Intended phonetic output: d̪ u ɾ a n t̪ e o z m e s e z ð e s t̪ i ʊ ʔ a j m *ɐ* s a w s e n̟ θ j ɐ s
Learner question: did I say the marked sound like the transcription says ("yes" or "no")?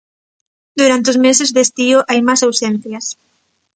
no